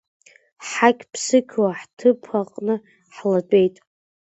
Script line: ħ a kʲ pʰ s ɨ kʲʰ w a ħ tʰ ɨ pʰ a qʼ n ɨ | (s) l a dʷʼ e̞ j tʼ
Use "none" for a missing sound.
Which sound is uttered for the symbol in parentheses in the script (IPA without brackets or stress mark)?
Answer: ħ